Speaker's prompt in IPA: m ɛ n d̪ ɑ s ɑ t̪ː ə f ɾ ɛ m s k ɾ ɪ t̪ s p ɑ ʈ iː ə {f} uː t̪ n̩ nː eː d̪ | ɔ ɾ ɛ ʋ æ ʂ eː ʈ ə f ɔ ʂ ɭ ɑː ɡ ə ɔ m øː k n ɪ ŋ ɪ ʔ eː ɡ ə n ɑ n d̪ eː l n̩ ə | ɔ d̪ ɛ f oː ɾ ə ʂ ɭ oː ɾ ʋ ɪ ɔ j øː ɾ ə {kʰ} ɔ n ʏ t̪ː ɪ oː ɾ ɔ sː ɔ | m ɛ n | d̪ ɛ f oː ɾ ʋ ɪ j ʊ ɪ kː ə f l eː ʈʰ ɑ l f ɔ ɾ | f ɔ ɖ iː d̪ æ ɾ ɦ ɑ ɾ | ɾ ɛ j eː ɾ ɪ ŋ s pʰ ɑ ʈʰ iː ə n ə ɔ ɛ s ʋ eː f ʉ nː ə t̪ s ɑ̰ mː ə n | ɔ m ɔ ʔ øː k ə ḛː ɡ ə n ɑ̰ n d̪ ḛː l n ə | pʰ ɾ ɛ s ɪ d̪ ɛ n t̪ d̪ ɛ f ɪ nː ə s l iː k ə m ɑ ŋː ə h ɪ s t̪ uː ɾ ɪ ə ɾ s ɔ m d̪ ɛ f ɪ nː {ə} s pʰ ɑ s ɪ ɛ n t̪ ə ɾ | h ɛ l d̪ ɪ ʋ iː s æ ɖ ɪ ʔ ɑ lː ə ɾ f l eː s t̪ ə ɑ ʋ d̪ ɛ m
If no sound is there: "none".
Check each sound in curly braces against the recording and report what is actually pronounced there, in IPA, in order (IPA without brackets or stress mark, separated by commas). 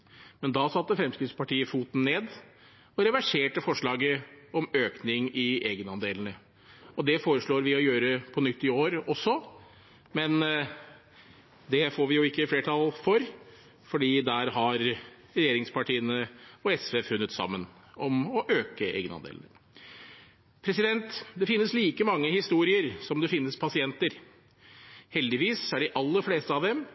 f, pʰ, ə